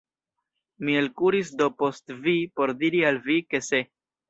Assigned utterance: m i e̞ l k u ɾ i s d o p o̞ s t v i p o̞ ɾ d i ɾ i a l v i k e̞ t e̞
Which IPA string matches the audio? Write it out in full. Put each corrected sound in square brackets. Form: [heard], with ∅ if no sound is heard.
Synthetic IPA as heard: m i e̞ l k u ɾ i s d o p o̞ s t v i p o̞ ɾ d i ɾ i a l v i k e̞ [s] e̞